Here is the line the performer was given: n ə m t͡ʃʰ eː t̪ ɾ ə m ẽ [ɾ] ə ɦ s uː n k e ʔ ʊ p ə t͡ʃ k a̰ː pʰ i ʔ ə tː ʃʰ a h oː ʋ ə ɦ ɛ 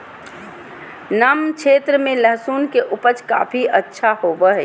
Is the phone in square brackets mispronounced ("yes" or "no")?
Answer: yes